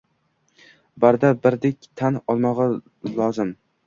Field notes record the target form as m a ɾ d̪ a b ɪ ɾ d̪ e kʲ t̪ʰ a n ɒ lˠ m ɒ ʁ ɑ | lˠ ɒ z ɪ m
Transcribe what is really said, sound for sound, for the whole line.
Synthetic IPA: b a ɾ d̪ a b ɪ ɾ d̪ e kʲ t̪ʰ a n ɒ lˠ m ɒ ʁ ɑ | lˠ ɒ z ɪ m

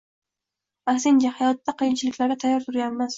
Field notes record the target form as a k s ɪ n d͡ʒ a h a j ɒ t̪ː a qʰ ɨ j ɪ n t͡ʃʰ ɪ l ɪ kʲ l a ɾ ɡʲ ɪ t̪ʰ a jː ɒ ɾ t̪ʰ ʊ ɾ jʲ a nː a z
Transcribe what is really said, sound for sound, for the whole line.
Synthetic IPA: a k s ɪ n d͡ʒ a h a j ɒ t̪ː a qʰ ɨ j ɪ n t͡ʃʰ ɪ l ɪ kʲ l a ɾ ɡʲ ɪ t̪ʰ a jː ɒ ɾ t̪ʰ ʊ ɾ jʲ a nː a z

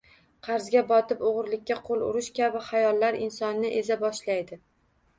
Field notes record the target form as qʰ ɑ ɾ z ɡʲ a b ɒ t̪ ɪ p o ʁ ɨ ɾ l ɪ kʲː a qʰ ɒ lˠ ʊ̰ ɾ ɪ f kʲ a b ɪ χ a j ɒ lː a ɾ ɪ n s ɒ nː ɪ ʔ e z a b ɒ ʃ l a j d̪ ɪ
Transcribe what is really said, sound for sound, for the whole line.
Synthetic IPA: qʰ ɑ ɾ z ɡʲ a b ɒ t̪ ɪ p o ʁ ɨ ɾ l ɪ kʲː a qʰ o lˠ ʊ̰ ɾ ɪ ʃ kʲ a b ɪ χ a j ɒ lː a ɾ ɪ n s ɒ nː ɪ ʔ e z a b ɒ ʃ l a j d̪ ɪ

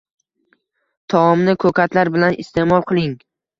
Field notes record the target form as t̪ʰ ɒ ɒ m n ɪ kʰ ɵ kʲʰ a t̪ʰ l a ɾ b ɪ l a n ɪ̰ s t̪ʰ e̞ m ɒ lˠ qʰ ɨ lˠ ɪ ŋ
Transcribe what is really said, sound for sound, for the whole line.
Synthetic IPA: t̪ʰ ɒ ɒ m n ɪ kʰ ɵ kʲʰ a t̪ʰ l a ɾ b ɪ l a n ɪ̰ s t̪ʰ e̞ m ɒ lˠ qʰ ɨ lˠ ɪ ŋ

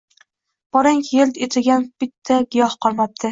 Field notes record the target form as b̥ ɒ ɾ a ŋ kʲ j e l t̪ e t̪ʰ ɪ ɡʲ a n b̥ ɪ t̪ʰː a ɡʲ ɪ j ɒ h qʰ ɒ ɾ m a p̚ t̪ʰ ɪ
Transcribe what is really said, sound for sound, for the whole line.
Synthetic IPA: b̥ ɒ ɾ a ŋ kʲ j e l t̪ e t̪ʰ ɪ ɡʲ a n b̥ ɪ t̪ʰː a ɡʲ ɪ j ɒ h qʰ ɒ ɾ m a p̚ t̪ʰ ɪ

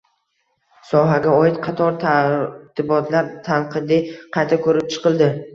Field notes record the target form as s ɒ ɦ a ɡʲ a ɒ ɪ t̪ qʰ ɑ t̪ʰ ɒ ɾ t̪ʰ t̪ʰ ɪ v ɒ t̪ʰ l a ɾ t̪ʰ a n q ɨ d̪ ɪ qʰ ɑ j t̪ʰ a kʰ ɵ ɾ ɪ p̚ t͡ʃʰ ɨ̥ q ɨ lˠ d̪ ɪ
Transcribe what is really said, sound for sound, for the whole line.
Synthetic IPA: s ɒ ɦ a ɡʲ a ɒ ɪ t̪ qʰ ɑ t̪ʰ ɒ ɾ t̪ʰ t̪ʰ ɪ b ɒ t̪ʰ l a ɾ t̪ʰ a n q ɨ d̪ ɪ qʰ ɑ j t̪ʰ a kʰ ɵ ɾ ɪ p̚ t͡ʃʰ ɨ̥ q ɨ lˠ d̪ ɪ

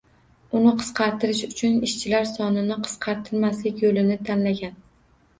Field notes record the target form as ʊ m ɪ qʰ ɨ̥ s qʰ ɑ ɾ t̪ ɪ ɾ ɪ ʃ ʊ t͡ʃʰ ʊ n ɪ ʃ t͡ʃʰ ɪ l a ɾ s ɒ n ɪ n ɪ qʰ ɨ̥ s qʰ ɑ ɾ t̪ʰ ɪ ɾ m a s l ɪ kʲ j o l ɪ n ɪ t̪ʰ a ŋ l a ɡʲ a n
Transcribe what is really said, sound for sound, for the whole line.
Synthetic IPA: ʊ n ɪ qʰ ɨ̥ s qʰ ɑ ɾ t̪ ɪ ɾ ɪ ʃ ʊ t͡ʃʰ ʊ n ɪ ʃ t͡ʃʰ ɪ l a ɾ s ɒ n ɪ n ɪ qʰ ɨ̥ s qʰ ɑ ɾ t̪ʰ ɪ ɾ m a s l ɪ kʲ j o l ɪ n ɪ t̪ʰ a n l a ɡʲ a n

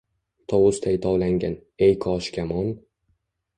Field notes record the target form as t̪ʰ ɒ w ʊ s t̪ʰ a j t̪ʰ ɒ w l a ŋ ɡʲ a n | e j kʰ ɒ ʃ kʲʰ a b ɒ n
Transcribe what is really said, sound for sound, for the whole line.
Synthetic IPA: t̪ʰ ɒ w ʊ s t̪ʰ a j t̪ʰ ɒ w l a ŋ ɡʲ a n | e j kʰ ɒ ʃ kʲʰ a m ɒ n

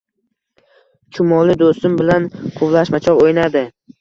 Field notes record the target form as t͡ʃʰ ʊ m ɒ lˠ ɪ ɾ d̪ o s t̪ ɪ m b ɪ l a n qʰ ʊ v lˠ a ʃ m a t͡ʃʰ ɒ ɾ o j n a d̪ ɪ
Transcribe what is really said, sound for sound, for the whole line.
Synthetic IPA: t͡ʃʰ ʊ m ɒ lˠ ɪ d̪ o s t̪ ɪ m b ɪ l a n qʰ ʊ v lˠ a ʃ m a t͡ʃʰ ɒ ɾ o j n a d̪ ɪ

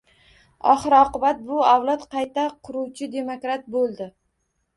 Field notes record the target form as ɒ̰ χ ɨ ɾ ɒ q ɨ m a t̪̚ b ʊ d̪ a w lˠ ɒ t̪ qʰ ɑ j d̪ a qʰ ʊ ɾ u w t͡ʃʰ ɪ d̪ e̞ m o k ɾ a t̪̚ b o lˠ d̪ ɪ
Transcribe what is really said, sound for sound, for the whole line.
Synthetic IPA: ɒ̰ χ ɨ ɾ ɒ q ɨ b a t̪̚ b ʊ a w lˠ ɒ t̪ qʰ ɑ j t̪ a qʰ ʊ ɾ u w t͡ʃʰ ɪ d̪ e̞ m o k ɾ a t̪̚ b o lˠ d̪ ɪ

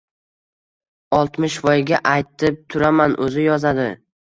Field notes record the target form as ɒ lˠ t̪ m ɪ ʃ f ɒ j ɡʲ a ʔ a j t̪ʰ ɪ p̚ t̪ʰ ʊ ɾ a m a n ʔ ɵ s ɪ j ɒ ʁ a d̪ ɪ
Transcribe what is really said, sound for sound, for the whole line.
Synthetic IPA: ɒ lˠ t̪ m ɪ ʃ v ɒ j ɡʲ a ʔ a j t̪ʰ ɪ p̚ t̪ʰ ʊ ɾ a m a n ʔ ɵ z ɪ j ɒ z a d̪ ɪ

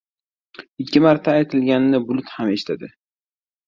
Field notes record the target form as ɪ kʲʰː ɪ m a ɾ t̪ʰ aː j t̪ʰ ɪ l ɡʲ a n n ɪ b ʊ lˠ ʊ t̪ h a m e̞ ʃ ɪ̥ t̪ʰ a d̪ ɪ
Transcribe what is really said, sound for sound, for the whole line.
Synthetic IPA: ɪ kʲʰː ɪ m a ɾ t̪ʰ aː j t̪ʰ ɪ l ɡʲ a n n ɪ b ʊ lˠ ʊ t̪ h a m e̞ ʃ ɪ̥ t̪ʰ a d̪ ɪ

